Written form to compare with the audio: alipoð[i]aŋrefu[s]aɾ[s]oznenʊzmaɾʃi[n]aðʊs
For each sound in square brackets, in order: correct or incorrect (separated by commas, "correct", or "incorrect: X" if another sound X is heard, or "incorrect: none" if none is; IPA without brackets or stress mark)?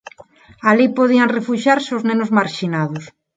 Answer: correct, incorrect: ʃ, correct, correct